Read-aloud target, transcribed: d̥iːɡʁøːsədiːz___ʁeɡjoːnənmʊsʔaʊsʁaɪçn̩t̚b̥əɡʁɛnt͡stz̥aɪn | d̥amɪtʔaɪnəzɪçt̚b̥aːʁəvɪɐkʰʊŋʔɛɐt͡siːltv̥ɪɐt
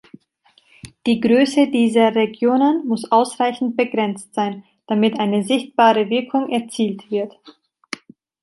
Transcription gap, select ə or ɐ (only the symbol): ɐ